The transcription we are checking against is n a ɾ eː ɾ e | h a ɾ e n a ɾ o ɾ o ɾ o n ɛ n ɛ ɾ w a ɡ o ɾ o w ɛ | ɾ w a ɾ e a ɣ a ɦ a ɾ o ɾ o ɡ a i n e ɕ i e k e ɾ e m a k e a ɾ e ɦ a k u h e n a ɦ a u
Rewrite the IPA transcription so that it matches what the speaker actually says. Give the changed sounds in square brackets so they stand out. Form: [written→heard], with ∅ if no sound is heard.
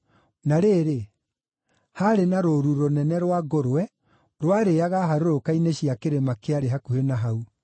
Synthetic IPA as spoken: n a ɾ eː ɾ e | h a ɾ e n a ɾ o ɾ [o→u] ɾ o n ɛ n ɛ ɾ w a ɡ o ɾ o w ɛ | ɾ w a ɾ e a ɣ a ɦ a ɾ o ɾ o [ɡ→k] a i n e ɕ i [e→a] k e ɾ e m a k e a ɾ e ɦ a k u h e n a ɦ a u

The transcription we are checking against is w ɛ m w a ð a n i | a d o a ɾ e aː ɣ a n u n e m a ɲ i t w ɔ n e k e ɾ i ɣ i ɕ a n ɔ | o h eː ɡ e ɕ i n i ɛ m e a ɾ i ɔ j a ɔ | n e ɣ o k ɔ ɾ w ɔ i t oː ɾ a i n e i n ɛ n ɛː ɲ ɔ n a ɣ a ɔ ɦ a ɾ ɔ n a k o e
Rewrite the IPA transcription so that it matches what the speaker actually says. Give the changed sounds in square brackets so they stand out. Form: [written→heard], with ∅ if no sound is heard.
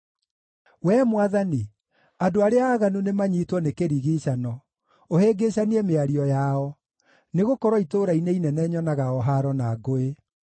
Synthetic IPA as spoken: w ɛ m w a ð a n i | a d o a ɾ e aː ɣ a n u n e m a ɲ i t w ɔ n e k e ɾ i ɣ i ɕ a n ɔ | o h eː ɡ e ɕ [i→a] n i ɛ m e a ɾ i ɔ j a ɔ | n e ɣ o k ɔ ɾ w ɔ i t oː ɾ a i n e i n ɛ n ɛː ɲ ɔ n a ɣ a ɔ ɦ a ɾ ɔ n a [k→ɡ] o e

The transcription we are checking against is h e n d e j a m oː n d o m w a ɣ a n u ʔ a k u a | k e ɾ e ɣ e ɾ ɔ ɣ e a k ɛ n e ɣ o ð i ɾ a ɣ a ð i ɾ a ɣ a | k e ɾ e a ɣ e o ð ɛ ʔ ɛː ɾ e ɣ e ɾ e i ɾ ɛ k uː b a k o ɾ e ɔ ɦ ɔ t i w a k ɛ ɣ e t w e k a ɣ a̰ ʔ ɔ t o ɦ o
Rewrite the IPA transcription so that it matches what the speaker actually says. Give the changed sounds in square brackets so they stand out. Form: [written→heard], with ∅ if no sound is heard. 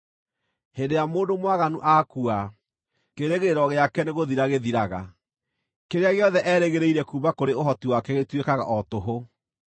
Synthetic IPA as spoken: h e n d e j a m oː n d o m w a ɣ a n u ʔ a k u a | k e ɾ e ɣ e ɾ ɔ ɣ e a k ɛ n e ɣ o ð i ɾ a ɣ [a→e] ð i ɾ a ɣ a | k e ɾ e a ɣ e [o→ɔ] ð ɛ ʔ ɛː ɾ e ɣ e ɾ e i ɾ ɛ k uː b a k o ɾ e [ɔ→o] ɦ ɔ t i w a k ɛ ɣ e t w e k a ɣ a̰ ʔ ɔ t o ɦ o

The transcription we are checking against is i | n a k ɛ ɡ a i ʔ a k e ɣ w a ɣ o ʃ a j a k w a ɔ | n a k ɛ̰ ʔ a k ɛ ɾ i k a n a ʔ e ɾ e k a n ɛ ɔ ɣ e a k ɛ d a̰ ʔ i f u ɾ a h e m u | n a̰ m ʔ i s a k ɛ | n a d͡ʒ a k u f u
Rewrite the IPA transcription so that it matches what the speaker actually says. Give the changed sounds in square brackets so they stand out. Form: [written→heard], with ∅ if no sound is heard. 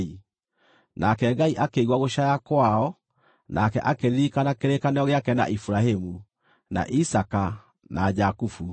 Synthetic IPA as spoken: i | n a k ɛ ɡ a i ʔ a k e ɣ w a ɣ o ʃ a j a k w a ɔ | n a k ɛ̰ ʔ a k [ɛ→e] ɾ i k a n a [ʔ→k] e ɾ e k a n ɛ ɔ ɣ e a k ɛ [d→n] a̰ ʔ i f u ɾ a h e m u | n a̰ [m→∅] ʔ i s a k [ɛ→a] | n a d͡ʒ a k u f u

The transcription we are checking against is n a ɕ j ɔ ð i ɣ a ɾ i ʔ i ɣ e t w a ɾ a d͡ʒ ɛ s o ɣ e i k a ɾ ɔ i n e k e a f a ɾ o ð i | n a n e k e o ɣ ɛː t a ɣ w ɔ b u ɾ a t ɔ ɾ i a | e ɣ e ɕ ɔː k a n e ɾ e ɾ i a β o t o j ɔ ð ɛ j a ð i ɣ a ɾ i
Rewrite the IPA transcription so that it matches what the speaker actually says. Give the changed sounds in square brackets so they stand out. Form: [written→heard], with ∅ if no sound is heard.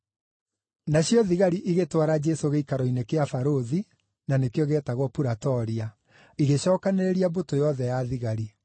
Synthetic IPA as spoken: n a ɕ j ɔ ð i ɣ a ɾ i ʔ i ɣ e t w a ɾ a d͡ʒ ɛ s o ɣ e i k a ɾ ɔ i n e k e a f a ɾ o ð i | n a n e k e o ɣ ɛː t a ɣ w ɔ [b→p] u ɾ a t ɔ ɾ i a | [e→i] ɣ e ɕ ɔː k a n e ɾ e ɾ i a [β→b] o t o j ɔ ð ɛ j a ð i ɣ a ɾ i

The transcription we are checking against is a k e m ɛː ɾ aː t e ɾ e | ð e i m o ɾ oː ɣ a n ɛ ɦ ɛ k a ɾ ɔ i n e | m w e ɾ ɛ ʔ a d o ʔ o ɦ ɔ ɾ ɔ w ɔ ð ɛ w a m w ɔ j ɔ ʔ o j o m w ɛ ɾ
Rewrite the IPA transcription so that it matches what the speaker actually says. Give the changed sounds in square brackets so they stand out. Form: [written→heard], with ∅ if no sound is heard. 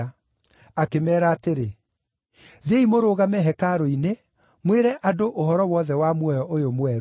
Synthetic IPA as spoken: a k e m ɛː ɾ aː t e ɾ e | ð e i m o ɾ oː ɣ a [n→m] ɛ ɦ ɛ k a ɾ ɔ i n e | m w e ɾ ɛ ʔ a d o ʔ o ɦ ɔ ɾ ɔ w ɔ ð ɛ w a m w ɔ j ɔ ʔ o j o m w ɛ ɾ

